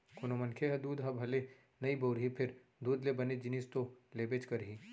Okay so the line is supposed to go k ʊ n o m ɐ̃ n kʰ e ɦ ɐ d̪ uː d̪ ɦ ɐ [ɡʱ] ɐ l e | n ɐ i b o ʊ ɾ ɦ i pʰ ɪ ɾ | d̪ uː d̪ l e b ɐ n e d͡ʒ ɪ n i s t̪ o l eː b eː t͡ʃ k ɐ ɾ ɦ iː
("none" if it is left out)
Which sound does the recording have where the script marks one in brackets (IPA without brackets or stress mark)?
bʱ